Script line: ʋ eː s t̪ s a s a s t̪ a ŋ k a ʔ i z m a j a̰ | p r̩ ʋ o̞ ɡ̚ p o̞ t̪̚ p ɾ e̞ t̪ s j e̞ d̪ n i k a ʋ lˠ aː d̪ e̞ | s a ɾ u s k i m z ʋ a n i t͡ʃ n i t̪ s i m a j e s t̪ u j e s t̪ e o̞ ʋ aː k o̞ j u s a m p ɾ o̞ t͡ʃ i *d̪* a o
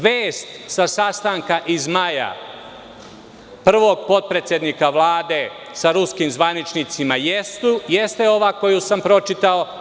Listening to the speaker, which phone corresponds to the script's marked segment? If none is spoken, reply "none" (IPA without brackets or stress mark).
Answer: t̪